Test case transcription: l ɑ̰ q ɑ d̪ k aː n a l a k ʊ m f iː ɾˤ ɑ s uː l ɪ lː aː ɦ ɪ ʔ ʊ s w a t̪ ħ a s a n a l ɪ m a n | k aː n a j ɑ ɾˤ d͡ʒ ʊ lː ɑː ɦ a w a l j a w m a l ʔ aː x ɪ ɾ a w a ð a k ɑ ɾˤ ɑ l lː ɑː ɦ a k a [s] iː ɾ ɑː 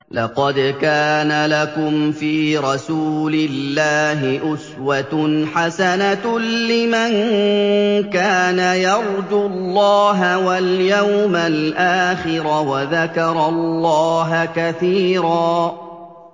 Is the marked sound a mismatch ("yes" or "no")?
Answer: yes